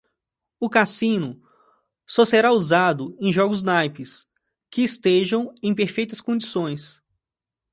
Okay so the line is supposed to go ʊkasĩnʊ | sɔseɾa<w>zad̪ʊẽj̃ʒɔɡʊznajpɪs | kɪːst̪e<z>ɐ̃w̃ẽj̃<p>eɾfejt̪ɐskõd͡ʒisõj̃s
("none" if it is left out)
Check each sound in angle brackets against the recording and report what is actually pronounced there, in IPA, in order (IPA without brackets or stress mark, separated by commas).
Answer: u, ʒ, p